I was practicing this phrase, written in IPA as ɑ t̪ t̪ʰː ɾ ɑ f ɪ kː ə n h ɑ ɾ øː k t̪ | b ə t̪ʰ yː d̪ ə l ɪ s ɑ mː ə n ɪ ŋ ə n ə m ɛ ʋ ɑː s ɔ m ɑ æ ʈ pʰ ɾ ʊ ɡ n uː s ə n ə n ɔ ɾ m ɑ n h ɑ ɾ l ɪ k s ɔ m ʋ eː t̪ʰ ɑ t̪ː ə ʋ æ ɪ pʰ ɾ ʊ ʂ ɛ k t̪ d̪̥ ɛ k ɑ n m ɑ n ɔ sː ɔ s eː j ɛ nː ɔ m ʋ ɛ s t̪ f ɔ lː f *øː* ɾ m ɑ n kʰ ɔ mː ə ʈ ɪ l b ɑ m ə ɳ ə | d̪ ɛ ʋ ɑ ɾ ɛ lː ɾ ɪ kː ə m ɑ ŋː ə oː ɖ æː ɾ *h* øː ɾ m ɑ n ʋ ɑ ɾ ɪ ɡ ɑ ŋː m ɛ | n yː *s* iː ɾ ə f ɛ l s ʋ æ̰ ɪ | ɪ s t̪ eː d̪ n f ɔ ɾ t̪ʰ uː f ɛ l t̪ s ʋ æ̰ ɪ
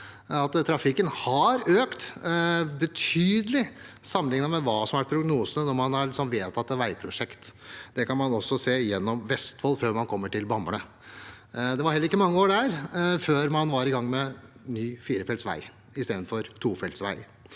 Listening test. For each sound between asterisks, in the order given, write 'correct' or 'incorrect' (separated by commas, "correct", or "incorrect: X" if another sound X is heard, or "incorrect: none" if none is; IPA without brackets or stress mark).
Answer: correct, incorrect: f, incorrect: f